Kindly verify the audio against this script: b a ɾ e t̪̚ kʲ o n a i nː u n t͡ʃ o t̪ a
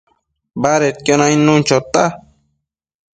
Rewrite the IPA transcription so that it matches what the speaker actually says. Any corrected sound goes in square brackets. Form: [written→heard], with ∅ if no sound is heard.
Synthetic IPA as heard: b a ɾ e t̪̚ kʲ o n a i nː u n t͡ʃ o t̪ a